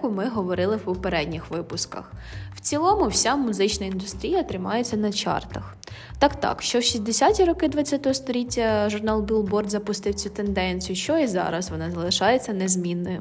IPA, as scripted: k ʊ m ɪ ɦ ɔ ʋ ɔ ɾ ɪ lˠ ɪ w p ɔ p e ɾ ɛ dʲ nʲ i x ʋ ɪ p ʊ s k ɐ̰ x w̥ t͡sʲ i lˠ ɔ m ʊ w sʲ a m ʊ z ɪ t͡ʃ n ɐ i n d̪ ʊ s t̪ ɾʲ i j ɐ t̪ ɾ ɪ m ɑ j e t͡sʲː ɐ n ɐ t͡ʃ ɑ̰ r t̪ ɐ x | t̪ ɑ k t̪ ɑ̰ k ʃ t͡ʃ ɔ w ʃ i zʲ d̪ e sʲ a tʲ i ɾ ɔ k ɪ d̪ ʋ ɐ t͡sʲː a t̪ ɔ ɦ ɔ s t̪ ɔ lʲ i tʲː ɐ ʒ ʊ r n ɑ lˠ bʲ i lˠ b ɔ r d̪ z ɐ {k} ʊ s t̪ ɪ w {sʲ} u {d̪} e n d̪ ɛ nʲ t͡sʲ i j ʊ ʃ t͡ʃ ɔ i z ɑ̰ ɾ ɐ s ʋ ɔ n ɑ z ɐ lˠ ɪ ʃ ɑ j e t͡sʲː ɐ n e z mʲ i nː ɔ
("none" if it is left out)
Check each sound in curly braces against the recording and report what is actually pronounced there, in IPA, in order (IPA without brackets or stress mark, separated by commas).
p, t͡sʲ, t̪